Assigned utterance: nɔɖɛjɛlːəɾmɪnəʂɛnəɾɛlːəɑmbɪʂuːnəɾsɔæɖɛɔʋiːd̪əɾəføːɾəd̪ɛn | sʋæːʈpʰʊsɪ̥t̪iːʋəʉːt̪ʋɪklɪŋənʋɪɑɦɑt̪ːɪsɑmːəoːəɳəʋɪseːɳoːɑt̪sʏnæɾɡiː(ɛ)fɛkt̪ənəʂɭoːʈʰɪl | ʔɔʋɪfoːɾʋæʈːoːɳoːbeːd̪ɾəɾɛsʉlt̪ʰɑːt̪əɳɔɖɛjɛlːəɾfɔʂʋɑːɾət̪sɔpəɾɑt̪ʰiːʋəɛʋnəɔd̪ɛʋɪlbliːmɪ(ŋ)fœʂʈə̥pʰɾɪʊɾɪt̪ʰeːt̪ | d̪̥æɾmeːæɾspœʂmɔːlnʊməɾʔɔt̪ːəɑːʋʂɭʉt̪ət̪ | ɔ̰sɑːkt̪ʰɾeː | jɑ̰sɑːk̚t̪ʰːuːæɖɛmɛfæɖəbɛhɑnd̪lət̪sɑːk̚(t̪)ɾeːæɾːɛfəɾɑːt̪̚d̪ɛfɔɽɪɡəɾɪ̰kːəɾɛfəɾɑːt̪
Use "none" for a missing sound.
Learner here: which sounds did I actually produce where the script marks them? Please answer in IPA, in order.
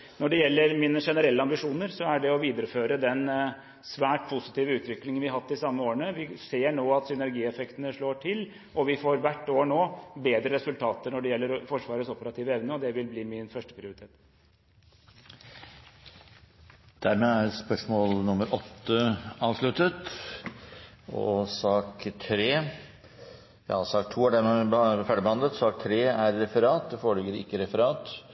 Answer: ɛ, n, t̪ʰ

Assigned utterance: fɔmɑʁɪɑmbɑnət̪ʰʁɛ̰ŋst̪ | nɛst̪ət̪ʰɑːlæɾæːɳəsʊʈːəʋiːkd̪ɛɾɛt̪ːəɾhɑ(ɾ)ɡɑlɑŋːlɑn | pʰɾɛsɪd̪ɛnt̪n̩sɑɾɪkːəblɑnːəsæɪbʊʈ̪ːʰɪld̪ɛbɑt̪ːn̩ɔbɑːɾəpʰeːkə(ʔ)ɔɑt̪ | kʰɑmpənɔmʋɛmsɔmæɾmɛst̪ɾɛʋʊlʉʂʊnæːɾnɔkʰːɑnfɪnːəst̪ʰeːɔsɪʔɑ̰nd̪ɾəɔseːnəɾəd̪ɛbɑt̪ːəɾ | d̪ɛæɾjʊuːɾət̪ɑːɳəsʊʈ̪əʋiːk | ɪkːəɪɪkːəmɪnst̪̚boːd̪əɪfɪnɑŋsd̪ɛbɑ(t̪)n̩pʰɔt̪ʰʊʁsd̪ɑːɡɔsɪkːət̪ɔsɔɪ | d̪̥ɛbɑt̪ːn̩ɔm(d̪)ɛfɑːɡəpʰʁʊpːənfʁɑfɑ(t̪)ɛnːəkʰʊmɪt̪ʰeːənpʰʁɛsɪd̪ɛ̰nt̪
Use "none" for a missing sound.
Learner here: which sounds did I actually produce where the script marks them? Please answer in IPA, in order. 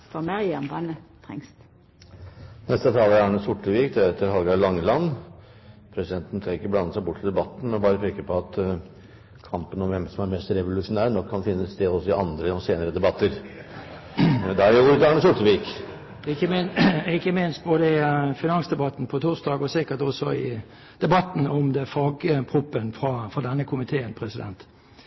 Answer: l, p, t̪, d̪, d̪

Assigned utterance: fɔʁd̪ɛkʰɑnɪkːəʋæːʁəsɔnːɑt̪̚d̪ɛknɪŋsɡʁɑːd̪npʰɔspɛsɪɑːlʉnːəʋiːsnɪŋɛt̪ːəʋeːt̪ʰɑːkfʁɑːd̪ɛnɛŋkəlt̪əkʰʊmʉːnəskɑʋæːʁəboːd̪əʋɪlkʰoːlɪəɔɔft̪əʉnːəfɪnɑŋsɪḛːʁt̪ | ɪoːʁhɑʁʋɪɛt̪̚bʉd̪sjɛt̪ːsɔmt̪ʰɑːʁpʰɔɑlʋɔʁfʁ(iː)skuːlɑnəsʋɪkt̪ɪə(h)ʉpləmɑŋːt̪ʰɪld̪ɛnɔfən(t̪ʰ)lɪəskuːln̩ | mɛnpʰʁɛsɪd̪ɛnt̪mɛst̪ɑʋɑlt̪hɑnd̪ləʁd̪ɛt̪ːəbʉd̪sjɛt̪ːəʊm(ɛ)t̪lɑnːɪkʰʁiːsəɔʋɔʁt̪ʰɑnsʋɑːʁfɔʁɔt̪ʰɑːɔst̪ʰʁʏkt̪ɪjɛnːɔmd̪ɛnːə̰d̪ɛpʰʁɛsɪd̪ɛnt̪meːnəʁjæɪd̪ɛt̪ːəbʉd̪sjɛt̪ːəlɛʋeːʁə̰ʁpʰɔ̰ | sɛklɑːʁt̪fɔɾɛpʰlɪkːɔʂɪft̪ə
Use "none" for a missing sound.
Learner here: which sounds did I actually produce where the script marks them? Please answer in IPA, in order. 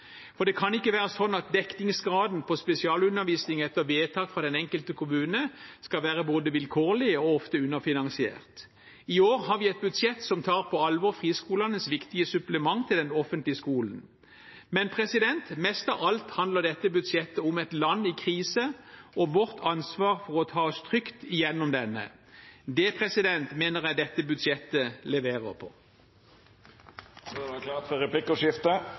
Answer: iː, s, t̪, ɛ

